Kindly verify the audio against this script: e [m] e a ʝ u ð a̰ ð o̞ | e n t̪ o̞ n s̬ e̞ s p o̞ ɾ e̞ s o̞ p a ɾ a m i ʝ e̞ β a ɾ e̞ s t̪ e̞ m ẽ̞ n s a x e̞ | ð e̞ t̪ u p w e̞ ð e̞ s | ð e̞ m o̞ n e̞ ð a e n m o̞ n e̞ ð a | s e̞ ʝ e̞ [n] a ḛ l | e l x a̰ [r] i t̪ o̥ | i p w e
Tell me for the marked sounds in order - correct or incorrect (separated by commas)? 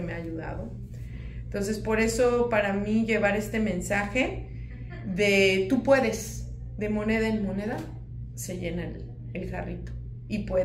correct, correct, correct